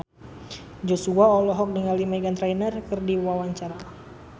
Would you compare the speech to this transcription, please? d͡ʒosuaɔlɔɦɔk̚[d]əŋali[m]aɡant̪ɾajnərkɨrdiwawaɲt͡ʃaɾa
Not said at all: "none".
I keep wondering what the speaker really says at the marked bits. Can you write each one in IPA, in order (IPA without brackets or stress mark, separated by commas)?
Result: d, m